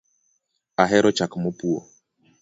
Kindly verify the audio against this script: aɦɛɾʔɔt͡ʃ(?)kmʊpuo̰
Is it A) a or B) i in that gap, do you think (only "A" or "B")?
A